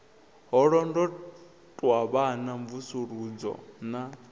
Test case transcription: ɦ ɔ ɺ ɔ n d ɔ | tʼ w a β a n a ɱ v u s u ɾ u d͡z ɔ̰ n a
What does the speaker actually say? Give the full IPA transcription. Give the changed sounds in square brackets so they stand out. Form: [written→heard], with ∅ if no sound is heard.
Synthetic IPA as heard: ɦ ɔ ɺ ɔ n d ɔ | tʼ w a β a n a ɱ v u s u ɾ u d͡z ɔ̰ n a